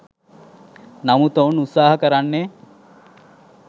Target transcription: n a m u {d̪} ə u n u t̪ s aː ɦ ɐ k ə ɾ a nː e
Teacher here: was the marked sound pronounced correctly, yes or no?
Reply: no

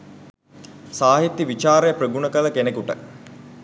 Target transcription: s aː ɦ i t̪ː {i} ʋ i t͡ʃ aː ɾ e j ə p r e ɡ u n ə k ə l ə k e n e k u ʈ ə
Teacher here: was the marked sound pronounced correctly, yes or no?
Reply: yes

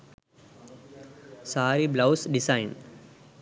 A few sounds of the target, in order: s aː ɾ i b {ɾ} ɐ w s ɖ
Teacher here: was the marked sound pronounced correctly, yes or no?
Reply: no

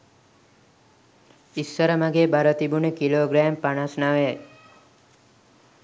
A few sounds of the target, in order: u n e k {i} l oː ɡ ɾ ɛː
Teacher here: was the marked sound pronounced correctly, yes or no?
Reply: yes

